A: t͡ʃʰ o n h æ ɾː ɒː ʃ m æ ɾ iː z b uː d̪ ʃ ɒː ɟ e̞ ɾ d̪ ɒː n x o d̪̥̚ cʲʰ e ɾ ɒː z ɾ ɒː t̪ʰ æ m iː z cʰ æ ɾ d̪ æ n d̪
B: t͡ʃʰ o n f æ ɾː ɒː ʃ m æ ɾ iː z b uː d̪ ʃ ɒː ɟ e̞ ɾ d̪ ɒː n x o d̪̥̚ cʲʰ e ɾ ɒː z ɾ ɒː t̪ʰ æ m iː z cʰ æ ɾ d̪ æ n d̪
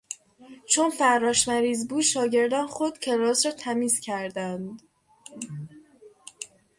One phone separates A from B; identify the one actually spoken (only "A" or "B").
B